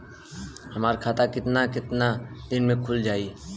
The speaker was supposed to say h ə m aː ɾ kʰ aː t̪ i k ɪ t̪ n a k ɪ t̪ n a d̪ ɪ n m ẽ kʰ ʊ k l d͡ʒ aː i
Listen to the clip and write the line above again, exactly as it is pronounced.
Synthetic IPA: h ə m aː ɾ kʰ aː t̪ a k ɪ t̪ n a k ɪ t̪ n a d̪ ɪ n m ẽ kʰ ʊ l d͡ʒ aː i